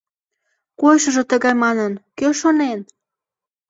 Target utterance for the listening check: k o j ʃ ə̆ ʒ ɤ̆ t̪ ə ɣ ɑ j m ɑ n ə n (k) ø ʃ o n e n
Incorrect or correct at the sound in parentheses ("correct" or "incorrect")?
correct